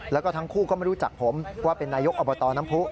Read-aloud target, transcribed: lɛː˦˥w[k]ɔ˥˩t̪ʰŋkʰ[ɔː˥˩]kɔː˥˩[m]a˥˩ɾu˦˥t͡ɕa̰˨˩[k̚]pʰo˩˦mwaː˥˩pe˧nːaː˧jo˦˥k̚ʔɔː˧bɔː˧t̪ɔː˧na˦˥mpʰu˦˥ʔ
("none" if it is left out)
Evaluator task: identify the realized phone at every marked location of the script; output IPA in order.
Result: k, uː˥˩, m, k̚

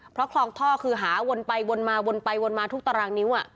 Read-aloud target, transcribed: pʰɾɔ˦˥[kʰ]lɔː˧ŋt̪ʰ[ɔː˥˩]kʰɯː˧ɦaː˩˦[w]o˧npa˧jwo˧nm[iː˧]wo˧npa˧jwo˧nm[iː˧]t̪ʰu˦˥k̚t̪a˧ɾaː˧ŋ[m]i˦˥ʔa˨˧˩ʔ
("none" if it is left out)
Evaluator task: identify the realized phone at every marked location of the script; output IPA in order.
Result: kʰ, ɔː˥˩, w, aː˧, aː˧, n

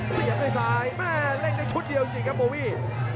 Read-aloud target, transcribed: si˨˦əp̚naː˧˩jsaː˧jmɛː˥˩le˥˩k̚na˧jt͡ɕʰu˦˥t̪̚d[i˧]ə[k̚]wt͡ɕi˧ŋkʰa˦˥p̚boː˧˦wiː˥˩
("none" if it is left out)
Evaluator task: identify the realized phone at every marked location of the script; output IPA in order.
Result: i˧, none

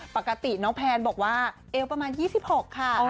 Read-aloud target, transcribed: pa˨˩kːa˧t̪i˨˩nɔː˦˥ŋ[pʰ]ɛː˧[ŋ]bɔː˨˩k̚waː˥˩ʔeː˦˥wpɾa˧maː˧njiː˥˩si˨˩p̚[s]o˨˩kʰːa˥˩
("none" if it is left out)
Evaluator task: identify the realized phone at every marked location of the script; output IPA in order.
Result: pʰ, n, h

